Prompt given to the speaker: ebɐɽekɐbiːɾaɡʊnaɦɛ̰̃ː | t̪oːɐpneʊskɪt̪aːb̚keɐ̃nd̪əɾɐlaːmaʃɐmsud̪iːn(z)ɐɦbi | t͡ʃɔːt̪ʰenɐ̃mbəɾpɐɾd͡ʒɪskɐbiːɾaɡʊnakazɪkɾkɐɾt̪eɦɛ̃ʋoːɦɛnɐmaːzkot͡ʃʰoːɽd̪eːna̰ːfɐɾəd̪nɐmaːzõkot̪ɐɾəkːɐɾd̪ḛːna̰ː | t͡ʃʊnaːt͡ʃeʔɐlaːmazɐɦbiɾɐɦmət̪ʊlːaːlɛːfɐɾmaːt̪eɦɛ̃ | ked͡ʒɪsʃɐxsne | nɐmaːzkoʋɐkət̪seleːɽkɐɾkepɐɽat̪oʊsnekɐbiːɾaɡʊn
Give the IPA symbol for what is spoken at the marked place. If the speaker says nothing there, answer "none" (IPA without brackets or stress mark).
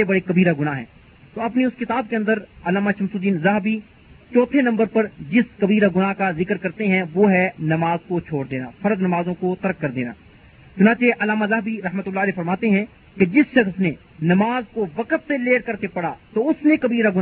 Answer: z